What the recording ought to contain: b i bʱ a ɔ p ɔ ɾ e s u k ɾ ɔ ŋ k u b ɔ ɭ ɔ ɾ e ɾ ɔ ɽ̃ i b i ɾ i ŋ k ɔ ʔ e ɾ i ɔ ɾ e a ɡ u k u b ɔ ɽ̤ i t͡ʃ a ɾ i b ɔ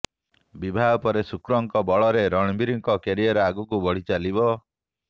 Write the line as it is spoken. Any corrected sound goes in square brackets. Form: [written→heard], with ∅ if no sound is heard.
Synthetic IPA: b i bʱ a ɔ p ɔ ɾ e s u k ɾ ɔ ŋ k [u→ɔ] b ɔ ɭ ɔ ɾ e ɾ ɔ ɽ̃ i b i ɾ i ŋ k ɔ [ʔ→k] e ɾ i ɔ ɾ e a ɡ u k u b ɔ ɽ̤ i t͡ʃ a [ɾ→l] i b ɔ